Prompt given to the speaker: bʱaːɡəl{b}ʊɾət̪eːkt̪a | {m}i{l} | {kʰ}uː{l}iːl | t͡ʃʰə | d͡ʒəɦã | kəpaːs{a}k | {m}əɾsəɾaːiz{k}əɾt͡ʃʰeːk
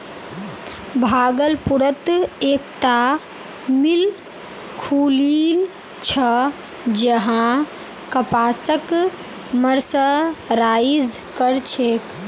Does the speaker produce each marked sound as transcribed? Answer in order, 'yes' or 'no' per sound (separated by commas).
no, yes, yes, yes, yes, no, yes, yes